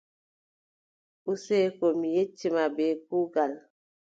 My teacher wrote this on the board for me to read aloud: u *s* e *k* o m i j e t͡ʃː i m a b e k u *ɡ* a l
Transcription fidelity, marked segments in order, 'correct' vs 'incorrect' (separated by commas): correct, correct, correct